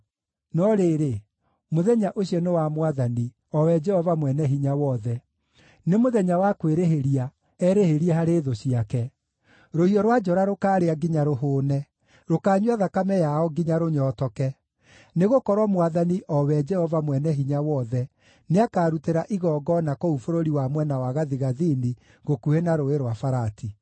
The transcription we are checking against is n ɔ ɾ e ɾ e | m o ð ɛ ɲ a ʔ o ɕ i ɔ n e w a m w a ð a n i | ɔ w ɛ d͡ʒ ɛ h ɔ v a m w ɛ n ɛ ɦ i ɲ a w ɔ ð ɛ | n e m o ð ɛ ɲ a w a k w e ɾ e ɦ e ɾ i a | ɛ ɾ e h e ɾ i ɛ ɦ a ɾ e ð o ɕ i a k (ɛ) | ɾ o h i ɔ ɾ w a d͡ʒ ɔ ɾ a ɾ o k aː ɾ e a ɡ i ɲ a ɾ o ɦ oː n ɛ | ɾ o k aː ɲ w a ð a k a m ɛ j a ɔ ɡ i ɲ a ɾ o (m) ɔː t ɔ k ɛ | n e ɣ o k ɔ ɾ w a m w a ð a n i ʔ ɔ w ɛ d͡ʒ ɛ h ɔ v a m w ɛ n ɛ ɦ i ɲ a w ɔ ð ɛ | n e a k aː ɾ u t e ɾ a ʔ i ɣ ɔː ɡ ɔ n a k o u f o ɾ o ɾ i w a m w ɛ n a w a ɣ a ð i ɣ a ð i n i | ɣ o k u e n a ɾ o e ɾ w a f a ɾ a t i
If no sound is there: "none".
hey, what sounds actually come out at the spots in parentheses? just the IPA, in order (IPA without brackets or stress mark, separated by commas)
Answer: ɛ, ɲ